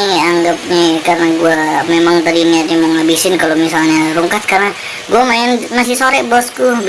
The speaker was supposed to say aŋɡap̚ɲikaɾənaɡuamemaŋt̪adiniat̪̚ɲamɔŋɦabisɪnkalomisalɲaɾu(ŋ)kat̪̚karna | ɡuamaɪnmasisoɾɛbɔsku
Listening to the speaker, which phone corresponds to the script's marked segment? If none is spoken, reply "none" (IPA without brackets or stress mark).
ŋ